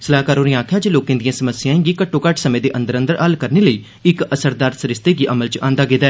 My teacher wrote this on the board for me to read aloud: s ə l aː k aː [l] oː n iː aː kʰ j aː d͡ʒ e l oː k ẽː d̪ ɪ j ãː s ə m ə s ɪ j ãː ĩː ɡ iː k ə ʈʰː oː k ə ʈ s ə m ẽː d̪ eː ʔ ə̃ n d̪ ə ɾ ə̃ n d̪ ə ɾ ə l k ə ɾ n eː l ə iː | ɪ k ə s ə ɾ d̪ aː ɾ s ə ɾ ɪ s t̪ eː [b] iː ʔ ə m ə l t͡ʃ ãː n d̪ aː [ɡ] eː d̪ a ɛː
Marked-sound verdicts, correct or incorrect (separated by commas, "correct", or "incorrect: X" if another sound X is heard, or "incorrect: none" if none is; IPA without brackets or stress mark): incorrect: ɾ, incorrect: ɡ, correct